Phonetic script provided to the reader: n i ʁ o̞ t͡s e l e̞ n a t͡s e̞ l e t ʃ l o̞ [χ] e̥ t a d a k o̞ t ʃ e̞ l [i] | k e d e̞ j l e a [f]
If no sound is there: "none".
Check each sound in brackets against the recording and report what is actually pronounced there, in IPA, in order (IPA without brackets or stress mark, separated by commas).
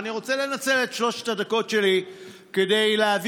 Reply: ʃ, i, v